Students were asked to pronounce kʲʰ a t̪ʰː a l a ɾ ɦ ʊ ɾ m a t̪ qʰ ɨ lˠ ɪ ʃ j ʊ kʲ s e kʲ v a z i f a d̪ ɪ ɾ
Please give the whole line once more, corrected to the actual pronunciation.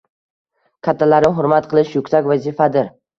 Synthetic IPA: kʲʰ a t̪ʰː a l a ɾ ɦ ʊ ɾ m a t̪ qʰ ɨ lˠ ɪ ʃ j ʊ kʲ s a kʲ v a z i f a d̪ ɪ ɾ